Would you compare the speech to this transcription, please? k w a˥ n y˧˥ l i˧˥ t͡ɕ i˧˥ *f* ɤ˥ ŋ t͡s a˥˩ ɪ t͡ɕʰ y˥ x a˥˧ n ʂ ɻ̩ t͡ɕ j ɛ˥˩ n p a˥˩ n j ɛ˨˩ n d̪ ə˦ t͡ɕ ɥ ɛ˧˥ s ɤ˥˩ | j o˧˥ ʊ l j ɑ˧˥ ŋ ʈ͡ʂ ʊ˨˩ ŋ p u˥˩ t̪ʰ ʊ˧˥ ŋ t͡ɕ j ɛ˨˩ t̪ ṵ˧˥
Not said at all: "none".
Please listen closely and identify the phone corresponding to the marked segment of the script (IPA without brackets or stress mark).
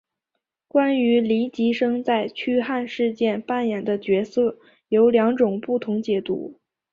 ʂ